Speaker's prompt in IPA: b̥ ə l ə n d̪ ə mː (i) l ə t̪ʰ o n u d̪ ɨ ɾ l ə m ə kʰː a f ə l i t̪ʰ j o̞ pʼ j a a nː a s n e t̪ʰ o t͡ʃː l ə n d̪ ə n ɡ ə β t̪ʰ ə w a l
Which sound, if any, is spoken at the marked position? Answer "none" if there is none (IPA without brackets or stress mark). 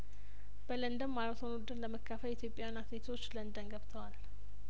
a